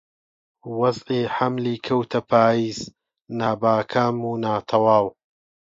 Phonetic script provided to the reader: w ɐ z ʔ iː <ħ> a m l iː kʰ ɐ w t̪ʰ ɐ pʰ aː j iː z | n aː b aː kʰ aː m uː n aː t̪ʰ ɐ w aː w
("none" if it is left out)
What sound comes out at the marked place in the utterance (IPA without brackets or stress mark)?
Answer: ħ